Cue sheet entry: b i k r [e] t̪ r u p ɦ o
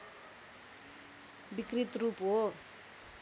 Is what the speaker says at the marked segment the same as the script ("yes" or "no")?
no